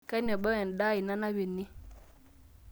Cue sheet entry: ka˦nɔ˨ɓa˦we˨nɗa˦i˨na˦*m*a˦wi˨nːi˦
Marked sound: incorrect: n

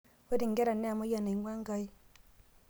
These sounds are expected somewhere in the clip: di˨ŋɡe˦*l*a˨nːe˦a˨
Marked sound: incorrect: ɾ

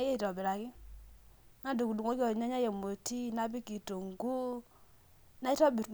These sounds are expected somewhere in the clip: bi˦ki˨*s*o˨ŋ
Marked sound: incorrect: t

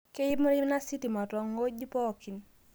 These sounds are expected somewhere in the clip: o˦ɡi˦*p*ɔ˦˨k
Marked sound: correct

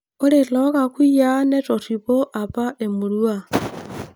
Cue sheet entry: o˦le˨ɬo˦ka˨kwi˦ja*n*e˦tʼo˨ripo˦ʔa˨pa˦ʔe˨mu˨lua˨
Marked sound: correct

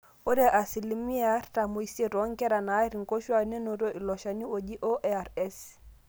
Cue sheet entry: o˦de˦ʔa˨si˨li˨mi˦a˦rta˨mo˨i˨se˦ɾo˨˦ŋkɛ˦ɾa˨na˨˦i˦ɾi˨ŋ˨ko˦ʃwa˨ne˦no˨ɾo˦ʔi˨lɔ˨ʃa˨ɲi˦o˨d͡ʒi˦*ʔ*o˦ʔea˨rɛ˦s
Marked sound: correct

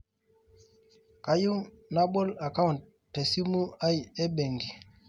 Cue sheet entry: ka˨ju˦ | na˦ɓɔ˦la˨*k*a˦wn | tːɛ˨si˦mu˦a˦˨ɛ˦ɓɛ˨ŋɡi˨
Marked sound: correct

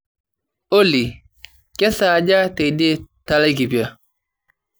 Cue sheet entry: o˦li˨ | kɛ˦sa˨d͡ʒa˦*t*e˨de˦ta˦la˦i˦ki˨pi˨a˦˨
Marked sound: correct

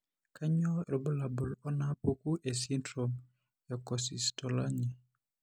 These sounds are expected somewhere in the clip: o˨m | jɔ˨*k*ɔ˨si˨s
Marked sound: correct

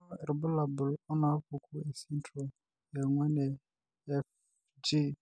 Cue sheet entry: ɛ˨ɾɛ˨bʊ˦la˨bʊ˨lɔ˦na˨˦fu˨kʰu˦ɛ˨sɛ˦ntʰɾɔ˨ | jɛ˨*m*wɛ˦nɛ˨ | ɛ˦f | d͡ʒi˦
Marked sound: incorrect: ŋ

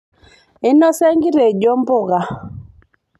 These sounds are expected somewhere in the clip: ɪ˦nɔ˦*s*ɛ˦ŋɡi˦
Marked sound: correct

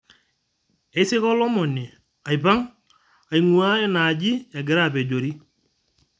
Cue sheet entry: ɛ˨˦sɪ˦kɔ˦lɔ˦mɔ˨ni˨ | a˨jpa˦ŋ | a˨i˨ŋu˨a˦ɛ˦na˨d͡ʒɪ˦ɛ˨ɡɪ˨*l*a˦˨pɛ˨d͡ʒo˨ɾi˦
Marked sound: incorrect: ɾ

